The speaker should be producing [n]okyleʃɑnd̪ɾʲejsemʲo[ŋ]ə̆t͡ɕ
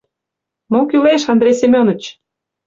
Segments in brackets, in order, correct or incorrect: incorrect, incorrect

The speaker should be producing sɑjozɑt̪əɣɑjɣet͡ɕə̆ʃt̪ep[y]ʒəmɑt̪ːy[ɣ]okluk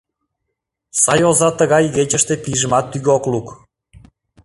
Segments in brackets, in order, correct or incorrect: incorrect, correct

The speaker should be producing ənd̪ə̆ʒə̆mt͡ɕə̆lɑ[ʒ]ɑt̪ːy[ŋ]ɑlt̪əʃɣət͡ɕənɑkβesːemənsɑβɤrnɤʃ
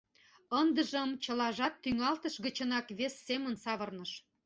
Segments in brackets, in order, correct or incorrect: correct, correct

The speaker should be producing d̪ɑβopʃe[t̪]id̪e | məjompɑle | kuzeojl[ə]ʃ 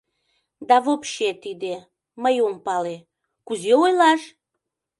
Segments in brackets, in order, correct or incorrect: correct, incorrect

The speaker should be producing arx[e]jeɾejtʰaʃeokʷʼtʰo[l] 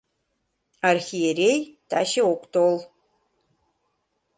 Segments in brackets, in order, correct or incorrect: incorrect, correct

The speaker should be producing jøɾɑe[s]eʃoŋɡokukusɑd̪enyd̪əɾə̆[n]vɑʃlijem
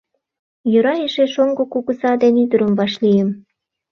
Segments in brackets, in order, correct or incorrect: incorrect, incorrect

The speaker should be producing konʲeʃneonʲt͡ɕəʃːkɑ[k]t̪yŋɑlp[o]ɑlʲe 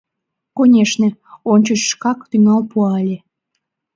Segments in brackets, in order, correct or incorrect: correct, incorrect

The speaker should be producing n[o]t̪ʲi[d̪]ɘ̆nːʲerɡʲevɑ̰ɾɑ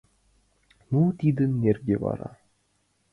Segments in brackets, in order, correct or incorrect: incorrect, correct

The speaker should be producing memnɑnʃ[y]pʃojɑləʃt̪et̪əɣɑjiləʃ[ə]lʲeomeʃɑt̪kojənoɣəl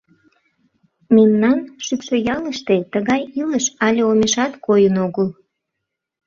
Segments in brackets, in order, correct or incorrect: correct, incorrect

